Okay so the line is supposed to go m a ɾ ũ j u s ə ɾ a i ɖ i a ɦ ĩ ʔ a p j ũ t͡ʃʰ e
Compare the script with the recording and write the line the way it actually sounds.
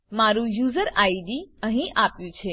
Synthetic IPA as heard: m a ɾ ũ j u z ə ɾ a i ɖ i ə ɦ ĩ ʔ a p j ũ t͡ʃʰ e